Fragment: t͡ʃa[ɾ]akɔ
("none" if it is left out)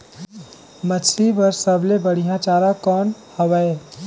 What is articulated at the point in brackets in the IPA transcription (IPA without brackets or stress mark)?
ɾ